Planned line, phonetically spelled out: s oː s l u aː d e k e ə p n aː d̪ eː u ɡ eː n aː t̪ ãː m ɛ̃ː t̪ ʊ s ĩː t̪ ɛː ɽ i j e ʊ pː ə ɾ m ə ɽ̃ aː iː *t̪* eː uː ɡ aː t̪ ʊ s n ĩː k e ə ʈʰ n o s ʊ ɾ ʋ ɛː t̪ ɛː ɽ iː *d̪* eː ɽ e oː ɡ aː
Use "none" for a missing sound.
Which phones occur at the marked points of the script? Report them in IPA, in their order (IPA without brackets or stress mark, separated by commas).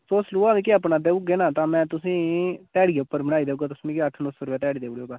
d̪, d̪